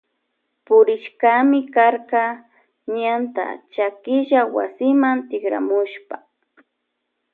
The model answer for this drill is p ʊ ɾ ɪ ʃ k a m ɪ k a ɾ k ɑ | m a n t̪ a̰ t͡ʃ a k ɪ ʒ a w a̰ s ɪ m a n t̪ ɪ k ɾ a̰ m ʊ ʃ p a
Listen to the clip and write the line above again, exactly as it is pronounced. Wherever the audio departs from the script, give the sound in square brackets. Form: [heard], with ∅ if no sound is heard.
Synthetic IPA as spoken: p ʊ ɾ ɪ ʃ k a m ɪ k a ɾ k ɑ | [ɲ] a n t̪ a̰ t͡ʃ a k ɪ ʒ a w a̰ s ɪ m a n t̪ ɪ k ɾ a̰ m ʊ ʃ p a